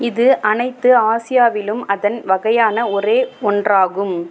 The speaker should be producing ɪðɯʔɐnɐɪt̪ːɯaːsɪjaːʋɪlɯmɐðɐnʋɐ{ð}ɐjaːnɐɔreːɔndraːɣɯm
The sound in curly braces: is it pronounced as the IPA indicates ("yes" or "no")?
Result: no